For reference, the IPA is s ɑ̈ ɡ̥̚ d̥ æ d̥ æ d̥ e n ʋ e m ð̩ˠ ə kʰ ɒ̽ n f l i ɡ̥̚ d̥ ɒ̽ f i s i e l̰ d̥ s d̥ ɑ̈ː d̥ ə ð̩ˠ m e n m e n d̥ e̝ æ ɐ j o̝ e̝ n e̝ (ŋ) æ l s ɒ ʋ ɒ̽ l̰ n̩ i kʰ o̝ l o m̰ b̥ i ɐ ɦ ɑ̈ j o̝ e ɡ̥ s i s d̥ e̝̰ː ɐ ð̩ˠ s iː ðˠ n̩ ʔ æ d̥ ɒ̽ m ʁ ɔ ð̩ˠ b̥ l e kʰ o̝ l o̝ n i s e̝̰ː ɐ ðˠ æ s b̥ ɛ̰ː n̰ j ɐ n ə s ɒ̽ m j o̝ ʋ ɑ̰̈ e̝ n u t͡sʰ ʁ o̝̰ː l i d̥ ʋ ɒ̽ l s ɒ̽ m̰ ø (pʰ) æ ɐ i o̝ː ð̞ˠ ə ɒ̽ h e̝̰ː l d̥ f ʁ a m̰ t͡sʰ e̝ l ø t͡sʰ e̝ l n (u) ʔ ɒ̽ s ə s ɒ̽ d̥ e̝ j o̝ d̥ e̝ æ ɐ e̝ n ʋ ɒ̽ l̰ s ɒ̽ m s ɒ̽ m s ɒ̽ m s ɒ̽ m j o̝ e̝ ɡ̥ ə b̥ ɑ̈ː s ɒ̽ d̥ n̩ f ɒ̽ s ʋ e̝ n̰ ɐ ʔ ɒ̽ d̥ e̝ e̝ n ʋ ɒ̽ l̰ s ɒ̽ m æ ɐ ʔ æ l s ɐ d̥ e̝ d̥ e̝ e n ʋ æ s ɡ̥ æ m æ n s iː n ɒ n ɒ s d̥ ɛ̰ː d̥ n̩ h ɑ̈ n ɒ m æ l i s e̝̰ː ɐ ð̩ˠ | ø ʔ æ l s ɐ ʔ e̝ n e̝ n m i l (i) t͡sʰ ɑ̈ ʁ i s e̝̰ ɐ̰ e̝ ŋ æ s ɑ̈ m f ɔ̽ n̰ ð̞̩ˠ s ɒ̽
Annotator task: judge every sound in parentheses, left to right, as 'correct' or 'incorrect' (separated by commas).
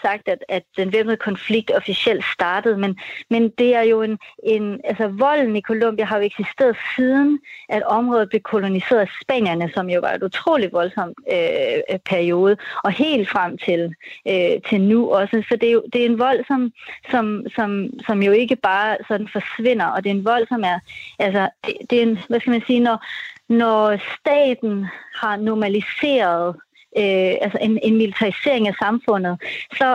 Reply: incorrect, correct, correct, correct